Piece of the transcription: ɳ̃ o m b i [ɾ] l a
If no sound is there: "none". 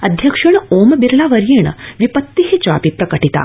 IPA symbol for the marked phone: ɾ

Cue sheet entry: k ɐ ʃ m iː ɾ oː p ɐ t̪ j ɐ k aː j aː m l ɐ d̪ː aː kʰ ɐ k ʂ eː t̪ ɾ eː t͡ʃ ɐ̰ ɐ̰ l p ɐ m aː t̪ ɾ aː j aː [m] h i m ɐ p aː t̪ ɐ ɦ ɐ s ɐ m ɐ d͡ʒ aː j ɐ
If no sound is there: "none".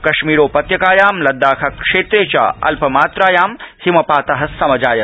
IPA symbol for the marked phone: m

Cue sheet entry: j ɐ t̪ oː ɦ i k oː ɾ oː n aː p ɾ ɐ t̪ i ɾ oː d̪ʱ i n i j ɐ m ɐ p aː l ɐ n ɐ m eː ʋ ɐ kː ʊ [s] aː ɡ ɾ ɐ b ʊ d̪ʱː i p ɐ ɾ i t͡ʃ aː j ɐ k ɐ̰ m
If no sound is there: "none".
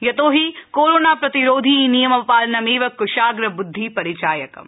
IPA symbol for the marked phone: ʃ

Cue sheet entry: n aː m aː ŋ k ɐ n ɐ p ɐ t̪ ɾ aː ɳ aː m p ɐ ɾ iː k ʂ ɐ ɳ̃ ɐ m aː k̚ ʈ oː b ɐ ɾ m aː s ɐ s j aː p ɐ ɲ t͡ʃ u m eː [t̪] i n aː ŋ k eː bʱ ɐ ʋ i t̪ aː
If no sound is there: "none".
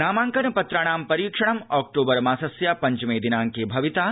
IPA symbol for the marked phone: d̪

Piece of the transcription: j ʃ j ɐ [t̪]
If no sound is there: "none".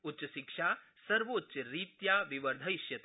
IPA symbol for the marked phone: t̪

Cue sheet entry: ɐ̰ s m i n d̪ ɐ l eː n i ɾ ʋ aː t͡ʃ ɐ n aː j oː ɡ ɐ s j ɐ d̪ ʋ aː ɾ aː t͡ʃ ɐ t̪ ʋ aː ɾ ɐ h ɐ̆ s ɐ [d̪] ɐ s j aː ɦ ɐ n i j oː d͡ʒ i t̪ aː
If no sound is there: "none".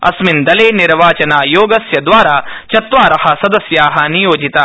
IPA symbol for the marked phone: d̪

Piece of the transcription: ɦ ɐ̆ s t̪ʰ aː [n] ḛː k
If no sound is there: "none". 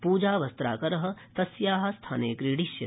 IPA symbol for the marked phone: n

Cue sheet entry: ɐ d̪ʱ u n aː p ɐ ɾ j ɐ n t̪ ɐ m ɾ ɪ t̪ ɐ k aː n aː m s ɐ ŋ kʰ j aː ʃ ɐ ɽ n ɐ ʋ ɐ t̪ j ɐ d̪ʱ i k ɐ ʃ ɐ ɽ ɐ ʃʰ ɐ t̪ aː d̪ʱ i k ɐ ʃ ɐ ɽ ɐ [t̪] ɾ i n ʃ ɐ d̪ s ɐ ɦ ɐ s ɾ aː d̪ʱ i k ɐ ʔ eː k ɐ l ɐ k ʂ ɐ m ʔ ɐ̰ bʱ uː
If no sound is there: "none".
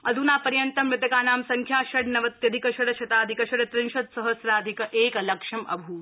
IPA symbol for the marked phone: t̪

